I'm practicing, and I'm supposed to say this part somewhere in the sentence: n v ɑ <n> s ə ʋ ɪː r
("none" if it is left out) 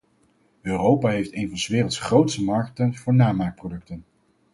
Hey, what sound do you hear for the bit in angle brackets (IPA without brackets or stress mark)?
n